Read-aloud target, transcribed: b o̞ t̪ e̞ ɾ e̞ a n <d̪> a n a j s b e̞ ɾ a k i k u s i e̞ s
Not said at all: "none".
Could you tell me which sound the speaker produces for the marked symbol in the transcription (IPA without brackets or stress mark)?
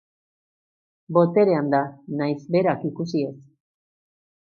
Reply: d̪